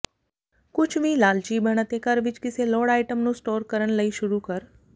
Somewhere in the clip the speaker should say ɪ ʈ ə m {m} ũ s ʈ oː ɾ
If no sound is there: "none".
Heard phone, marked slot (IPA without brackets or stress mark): n